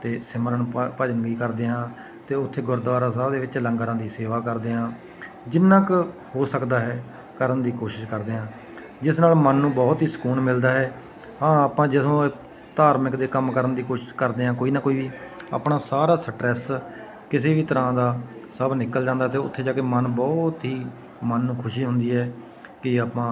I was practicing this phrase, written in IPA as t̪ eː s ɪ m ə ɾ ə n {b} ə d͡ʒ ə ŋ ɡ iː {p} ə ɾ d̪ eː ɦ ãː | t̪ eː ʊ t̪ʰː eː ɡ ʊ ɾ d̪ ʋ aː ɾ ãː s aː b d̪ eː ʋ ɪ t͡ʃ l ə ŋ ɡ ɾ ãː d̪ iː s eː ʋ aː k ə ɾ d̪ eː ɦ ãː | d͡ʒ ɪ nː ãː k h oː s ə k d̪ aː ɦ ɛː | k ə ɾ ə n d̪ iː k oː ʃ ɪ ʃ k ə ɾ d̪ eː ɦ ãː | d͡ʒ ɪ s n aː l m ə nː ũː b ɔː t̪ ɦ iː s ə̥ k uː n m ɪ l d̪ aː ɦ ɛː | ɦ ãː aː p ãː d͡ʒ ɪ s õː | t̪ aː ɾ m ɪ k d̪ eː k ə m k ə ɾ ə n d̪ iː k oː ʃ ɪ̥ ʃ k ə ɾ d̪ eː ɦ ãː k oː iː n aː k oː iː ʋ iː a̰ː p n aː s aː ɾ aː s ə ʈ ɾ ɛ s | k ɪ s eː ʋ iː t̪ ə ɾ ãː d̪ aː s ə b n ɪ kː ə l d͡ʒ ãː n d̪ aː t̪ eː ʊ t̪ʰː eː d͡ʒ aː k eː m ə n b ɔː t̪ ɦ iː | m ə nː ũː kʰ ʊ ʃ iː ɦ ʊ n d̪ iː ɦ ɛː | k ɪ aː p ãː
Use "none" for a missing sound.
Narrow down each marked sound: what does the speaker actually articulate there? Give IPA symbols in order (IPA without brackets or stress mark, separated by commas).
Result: p, k